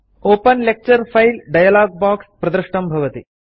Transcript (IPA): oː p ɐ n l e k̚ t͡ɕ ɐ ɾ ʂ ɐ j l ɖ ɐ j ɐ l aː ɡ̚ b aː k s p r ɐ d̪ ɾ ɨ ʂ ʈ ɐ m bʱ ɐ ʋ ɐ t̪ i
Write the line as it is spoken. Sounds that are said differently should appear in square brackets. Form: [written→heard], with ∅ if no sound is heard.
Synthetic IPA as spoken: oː p ɐ n l e k̚ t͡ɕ ɐ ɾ [ʂ→f] ɐ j l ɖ ɐ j ɐ l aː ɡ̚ b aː k s p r ɐ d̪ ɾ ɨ ʂ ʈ ɐ m bʱ ɐ ʋ ɐ t̪ i